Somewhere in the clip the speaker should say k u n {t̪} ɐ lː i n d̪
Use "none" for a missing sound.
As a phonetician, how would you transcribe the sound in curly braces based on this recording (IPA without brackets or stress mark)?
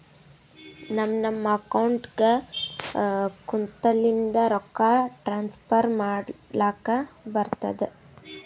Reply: t̪